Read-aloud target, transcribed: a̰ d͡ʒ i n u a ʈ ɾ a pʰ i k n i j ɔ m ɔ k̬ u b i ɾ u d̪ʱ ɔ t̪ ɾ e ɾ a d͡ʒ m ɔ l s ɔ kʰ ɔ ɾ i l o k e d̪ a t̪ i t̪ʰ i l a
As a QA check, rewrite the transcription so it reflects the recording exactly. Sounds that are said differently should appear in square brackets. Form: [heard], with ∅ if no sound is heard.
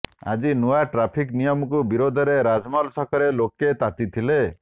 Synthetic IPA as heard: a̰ d͡ʒ i n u a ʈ ɾ a pʰ i k n i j ɔ m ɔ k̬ u b i ɾ [o] d̪ʱ ɔ [∅] ɾ e ɾ a d͡ʒ m ɔ l s ɔ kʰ ɔ ɾ [e] l o k e [t̪] a t̪ i t̪ʰ i l [e]